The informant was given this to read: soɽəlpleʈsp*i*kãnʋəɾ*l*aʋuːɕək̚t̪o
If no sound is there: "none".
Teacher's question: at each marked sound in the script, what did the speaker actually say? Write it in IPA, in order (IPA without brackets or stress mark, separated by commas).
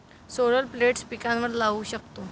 i, l